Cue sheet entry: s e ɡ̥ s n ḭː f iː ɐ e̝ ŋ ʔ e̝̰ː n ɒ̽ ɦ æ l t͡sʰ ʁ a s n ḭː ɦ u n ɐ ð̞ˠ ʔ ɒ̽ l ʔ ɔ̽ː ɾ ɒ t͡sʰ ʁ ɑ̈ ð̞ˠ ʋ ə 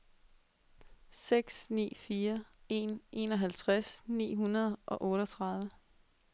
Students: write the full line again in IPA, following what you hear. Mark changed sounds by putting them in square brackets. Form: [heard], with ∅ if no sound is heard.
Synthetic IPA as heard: s e ɡ̥ s n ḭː f iː ɐ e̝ [n] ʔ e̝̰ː n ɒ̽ ɦ æ l t͡sʰ ʁ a s n ḭː ɦ u n ɐ ð̞ˠ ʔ ɒ̽ [∅] ʔ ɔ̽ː ɾ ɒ t͡sʰ ʁ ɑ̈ ð̞ˠ ʋ ə